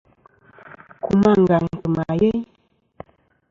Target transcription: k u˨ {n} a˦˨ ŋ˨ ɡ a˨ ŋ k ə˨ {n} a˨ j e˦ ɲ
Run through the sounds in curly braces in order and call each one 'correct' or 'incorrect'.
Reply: incorrect, incorrect

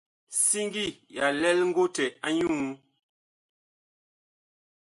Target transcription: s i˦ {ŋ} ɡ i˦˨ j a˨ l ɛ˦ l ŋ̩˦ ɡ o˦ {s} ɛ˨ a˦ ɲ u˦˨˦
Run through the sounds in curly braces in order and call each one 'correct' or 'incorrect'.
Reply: correct, incorrect

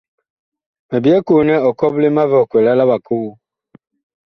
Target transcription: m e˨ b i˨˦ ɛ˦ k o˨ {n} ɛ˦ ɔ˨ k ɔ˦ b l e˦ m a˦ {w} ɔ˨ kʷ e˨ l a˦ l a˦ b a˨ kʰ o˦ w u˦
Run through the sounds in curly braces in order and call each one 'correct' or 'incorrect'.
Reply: correct, incorrect

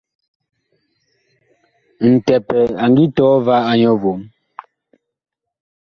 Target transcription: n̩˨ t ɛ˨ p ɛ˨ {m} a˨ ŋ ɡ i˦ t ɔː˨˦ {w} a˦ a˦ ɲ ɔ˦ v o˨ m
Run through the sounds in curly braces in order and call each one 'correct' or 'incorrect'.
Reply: incorrect, incorrect

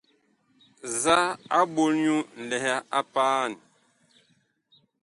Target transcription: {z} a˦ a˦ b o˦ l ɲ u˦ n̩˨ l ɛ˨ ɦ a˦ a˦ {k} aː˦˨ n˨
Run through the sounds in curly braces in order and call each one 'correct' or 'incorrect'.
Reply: correct, incorrect

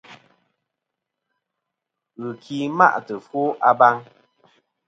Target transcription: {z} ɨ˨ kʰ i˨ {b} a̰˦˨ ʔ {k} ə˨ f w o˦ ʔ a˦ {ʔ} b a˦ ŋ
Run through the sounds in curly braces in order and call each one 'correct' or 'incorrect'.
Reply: incorrect, incorrect, incorrect, incorrect

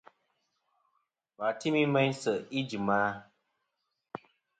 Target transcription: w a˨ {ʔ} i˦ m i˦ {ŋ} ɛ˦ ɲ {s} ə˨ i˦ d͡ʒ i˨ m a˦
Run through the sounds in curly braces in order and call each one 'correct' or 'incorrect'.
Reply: incorrect, incorrect, correct

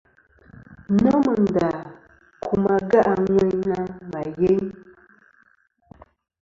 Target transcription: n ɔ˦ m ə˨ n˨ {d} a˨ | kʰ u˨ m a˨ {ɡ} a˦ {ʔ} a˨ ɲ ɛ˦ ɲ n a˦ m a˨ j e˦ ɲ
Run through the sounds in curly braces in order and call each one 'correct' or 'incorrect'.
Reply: correct, correct, correct

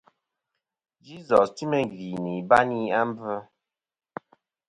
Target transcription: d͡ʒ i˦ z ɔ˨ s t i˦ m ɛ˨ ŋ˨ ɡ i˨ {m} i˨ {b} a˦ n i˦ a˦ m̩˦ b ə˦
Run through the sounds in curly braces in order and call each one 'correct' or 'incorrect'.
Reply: incorrect, correct

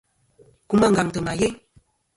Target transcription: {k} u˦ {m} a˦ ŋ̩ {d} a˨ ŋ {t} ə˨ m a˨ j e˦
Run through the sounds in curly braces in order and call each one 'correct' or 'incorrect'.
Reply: correct, correct, incorrect, correct

